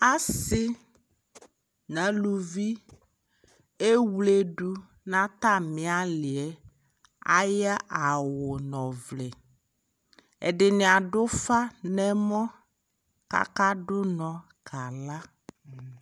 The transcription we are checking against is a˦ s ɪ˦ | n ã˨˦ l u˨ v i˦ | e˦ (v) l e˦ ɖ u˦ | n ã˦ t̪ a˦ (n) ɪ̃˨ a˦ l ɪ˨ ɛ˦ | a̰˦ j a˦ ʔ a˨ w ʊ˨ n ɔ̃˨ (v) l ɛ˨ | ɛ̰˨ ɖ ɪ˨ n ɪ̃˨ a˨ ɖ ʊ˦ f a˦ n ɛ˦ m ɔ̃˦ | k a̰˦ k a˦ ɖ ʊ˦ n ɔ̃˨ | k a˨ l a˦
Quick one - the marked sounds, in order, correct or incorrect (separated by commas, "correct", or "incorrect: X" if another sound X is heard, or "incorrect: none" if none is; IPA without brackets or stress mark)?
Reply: incorrect: w, incorrect: m, correct